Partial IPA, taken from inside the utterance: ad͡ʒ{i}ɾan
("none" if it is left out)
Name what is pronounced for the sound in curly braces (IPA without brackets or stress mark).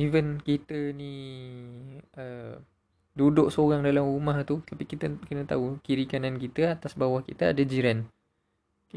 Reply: i